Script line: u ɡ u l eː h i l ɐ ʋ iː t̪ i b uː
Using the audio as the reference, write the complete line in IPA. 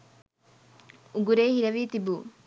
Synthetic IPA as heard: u ɡ u ɾ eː h i ɾ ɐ ʋ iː t̪ i b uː